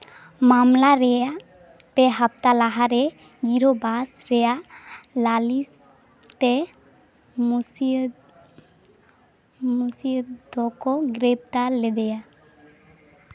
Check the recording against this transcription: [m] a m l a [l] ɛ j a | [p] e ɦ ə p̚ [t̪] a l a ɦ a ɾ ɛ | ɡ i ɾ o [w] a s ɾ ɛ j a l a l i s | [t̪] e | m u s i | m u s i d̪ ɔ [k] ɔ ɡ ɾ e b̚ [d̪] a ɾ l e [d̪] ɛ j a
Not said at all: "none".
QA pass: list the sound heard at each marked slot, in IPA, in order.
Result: m, ɾ, p, t̪, b, t̪, k, t̪, d̪

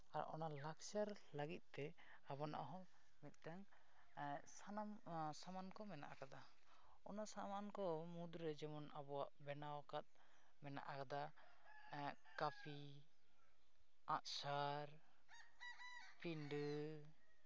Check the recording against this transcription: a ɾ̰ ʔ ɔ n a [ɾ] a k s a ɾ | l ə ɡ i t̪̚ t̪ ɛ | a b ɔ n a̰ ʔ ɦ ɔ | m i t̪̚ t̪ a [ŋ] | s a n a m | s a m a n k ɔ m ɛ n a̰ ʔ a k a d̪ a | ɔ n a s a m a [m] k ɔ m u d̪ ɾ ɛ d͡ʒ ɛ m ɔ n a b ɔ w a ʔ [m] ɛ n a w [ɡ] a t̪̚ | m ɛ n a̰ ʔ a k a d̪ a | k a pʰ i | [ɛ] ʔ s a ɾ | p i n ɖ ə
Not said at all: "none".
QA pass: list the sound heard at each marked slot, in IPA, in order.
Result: l, ŋ, n, b, k, a

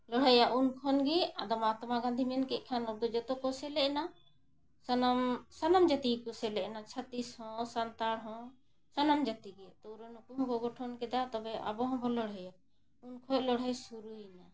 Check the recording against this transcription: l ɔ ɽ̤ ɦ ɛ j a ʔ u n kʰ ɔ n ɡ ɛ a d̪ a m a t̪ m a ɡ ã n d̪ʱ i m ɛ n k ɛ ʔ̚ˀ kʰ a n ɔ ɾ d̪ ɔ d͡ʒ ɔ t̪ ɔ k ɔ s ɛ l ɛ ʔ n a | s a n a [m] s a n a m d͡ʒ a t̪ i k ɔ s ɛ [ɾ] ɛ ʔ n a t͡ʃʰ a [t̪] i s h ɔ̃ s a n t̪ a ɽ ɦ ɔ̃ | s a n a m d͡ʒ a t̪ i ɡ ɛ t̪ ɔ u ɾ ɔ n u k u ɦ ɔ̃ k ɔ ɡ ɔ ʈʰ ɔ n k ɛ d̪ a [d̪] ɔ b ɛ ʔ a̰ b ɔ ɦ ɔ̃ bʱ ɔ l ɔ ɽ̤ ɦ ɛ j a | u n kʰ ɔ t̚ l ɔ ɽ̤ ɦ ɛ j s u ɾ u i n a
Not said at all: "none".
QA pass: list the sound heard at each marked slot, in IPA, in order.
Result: m, l, t̪, t̪

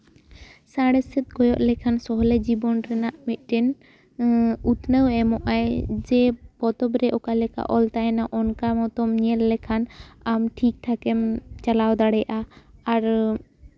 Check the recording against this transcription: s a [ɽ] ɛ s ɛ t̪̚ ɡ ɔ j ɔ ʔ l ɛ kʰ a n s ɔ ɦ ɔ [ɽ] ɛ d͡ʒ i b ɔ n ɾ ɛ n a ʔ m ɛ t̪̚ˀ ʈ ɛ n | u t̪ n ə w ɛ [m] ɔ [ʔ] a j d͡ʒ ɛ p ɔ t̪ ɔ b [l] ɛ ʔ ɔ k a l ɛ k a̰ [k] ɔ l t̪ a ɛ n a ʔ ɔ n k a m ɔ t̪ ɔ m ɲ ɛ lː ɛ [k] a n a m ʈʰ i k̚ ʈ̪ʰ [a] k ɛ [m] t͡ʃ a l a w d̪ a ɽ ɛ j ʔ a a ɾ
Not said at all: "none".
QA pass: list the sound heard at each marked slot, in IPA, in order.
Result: ɽ, l, m, ʔ, ɾ, ʔ, kʰ, a, m

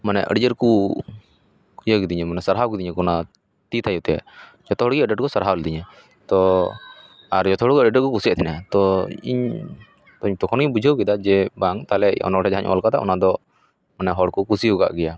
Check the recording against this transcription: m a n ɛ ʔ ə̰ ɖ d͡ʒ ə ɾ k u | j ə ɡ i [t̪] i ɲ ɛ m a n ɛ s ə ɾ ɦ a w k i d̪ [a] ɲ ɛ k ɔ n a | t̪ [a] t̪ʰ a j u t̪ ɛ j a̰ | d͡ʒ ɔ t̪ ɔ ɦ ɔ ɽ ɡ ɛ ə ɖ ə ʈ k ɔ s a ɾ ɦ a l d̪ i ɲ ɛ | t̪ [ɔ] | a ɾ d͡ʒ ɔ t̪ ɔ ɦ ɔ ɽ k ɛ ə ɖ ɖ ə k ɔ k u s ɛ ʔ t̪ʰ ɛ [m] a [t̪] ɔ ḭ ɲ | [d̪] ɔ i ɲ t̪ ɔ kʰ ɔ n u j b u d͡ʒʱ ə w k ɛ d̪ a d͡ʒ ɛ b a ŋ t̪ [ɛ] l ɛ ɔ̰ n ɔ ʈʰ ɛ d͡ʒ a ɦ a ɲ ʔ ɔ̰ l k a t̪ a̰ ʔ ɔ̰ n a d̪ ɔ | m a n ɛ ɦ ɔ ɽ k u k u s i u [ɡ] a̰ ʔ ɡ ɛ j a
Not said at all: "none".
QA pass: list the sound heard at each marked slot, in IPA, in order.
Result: d̪, i, i, ɔ, n, t̪, t̪, a, ɡ

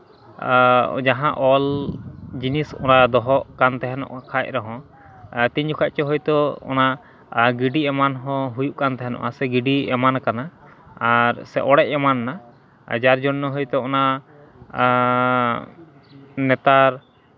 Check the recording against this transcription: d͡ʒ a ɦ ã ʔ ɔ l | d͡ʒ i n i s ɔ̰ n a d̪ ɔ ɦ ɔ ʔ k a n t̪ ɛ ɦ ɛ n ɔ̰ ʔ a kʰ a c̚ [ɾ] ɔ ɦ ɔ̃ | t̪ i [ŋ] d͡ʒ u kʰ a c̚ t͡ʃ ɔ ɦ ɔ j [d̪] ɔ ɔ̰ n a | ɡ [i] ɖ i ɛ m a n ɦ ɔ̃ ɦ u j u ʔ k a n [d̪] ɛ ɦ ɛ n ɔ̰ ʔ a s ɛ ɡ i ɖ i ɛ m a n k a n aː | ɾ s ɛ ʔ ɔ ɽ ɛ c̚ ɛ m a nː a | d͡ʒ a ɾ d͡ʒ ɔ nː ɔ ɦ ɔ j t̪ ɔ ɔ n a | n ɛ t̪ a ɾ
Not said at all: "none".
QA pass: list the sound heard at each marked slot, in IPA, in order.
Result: ɾ, ɲ, t̪, i, t̪

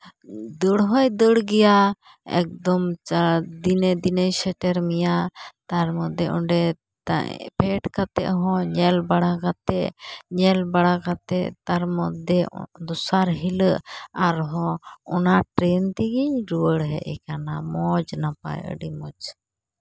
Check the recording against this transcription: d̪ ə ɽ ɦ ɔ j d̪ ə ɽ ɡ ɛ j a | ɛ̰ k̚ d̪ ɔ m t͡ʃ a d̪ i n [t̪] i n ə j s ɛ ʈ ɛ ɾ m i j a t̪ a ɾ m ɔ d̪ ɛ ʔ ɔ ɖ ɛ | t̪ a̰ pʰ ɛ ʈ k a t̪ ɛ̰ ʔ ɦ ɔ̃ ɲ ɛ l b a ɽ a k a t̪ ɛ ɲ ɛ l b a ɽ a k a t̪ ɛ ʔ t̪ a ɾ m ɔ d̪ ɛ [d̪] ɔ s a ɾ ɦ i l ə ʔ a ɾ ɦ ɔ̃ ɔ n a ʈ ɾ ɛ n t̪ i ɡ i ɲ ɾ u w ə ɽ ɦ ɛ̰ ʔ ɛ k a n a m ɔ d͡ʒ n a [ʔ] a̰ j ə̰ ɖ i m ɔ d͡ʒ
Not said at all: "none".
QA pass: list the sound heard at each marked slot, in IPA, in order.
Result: d̪, d̪, p

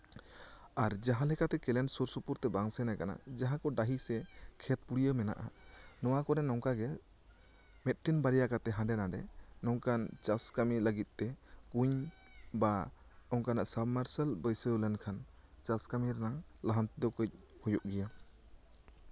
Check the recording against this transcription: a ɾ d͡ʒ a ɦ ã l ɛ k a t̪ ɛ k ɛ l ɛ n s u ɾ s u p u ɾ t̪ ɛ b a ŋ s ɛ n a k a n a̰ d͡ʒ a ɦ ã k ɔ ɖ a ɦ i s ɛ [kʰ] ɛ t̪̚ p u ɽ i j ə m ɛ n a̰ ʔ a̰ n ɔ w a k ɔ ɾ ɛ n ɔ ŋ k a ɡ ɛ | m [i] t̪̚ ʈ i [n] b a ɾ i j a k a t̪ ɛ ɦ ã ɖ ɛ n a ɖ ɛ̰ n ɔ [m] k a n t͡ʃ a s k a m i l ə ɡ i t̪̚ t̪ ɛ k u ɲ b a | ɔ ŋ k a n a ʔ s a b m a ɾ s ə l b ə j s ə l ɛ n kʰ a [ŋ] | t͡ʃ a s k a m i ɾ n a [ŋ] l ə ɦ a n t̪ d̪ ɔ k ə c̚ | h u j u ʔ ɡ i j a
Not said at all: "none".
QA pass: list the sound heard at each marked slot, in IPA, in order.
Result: kʰ, ɛ, n, ŋ, n, ŋ

